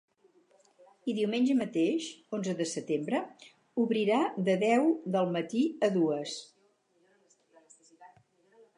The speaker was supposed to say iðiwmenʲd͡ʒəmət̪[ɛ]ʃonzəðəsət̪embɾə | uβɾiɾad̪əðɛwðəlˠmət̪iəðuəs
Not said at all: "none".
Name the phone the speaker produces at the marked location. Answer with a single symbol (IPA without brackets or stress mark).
e